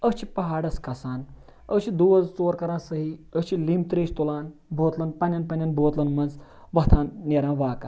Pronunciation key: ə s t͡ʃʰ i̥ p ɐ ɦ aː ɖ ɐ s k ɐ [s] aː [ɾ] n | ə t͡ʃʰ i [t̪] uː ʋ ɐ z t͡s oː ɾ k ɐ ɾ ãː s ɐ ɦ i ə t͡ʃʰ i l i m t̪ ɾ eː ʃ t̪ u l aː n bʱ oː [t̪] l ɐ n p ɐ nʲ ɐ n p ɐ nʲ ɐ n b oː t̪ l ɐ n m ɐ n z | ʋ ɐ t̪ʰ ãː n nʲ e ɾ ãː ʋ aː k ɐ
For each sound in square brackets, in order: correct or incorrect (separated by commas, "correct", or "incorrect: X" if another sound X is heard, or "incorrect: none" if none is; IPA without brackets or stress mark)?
correct, incorrect: none, incorrect: d̪, correct